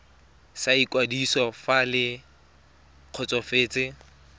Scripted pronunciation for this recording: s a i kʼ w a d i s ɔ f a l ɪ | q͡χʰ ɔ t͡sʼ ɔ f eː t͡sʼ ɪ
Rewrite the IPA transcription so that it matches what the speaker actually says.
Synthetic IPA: s a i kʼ w a d i s ɔ f a l ɪ | q͡χʰ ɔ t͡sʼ ɔ f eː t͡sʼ ɪ